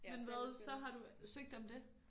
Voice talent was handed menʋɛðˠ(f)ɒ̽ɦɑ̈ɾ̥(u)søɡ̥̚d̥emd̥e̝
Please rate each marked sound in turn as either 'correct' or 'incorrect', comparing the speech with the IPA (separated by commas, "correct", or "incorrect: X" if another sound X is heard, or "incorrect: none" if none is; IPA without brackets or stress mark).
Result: incorrect: s, correct